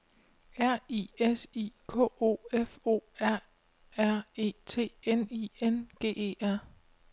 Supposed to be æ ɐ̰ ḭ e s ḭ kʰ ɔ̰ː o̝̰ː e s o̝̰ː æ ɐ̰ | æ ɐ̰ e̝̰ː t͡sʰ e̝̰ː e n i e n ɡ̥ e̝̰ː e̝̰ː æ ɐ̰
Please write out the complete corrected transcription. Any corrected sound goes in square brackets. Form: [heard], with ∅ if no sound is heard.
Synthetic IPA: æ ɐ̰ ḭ e s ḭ kʰ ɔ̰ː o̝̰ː e [f] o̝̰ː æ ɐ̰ | æ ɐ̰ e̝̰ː t͡sʰ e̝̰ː e n i e n ɡ̥ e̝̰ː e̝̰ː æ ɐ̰